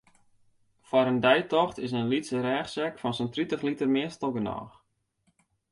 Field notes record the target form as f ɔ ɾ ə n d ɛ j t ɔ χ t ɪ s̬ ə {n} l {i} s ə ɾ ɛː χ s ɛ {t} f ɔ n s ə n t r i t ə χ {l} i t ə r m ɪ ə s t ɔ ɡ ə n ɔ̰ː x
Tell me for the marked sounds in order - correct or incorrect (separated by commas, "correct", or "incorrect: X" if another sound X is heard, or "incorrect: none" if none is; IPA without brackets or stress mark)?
correct, correct, incorrect: k, correct